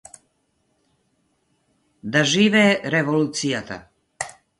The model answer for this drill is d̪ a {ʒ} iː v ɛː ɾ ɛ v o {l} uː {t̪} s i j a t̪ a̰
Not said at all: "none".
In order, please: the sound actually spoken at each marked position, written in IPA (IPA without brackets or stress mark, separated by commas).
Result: ʒ, l, t̪